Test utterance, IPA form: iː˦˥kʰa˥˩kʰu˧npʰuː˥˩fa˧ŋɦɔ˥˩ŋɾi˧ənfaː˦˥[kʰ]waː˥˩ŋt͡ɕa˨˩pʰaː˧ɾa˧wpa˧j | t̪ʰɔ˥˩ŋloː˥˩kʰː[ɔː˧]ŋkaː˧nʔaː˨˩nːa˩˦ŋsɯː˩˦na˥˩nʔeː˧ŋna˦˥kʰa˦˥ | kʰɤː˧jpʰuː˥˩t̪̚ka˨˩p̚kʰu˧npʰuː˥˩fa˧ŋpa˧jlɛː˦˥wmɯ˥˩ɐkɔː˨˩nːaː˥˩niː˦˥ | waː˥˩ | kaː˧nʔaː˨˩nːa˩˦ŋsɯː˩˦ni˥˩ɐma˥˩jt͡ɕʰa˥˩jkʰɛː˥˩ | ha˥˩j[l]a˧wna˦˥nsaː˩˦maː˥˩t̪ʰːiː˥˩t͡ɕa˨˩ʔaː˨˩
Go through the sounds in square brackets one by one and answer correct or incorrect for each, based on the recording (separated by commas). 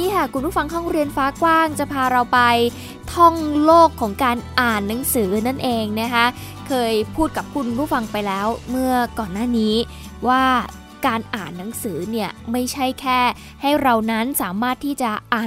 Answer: incorrect, incorrect, incorrect